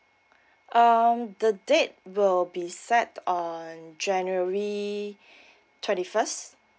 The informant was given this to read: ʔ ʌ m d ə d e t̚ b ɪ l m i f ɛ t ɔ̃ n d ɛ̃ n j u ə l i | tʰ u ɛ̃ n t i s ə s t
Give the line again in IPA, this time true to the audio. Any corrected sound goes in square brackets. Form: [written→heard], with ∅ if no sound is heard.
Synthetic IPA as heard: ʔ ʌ m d ə d e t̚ [b→w] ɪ l [m→b] i [f→s] ɛ t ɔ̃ n [d→d͡ʒ] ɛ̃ n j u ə [l→ɹ] i | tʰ [u→w] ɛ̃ n t i [s→f] ə s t